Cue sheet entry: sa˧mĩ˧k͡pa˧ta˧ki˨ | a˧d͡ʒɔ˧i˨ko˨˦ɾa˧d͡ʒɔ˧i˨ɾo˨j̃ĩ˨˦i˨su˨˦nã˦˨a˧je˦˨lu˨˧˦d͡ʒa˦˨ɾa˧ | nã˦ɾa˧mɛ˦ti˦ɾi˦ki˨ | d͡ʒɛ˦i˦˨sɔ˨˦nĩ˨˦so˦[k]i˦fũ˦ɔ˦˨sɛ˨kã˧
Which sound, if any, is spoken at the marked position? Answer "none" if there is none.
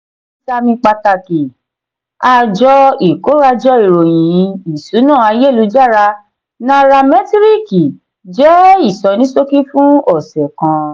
k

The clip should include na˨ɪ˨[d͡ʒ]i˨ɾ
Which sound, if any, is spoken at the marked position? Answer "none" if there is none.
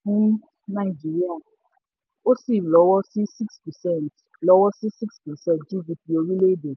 d͡ʒ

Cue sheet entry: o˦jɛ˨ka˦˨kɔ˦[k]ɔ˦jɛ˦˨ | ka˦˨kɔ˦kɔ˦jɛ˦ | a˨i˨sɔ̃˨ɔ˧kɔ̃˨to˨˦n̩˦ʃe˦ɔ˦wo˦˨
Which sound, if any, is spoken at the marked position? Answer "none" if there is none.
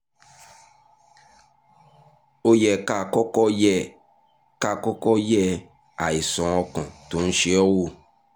k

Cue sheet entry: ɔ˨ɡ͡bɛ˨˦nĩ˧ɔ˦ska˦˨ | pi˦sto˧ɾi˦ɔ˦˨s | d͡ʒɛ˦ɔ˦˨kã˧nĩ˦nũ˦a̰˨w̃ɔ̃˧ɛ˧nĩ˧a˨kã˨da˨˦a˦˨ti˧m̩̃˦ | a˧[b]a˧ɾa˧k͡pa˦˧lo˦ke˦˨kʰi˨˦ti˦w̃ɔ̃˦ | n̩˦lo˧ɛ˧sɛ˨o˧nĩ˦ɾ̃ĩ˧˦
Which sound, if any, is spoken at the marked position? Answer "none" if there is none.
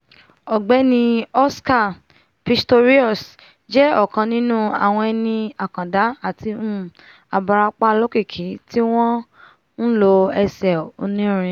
b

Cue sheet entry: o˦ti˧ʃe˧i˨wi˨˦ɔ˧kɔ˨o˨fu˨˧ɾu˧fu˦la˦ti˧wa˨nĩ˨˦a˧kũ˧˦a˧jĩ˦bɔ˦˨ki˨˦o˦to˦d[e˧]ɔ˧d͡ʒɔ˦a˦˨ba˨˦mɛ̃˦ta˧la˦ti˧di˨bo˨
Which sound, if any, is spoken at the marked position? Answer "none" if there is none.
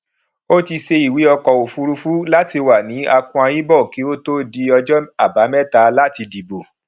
i˧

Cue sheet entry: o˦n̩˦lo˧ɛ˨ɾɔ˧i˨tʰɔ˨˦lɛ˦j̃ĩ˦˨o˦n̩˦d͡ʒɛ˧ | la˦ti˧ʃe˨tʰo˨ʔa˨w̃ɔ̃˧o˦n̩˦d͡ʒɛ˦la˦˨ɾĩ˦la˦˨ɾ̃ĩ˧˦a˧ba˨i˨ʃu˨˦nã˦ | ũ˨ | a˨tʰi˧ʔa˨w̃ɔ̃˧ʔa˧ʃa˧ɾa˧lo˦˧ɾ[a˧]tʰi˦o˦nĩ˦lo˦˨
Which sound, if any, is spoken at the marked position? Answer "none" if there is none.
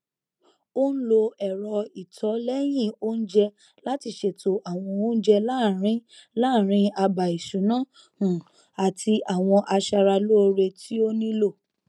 e˧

